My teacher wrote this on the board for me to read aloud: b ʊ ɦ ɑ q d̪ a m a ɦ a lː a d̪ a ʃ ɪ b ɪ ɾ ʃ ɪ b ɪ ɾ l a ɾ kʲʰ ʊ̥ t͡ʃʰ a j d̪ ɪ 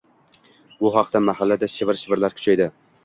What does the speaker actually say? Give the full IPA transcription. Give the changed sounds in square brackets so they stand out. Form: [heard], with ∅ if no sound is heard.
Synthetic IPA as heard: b ʊ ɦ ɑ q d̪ a m a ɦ a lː a d̪ a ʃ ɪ [v] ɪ ɾ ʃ ɪ [v] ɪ ɾ l a ɾ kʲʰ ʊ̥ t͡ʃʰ a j d̪ ɪ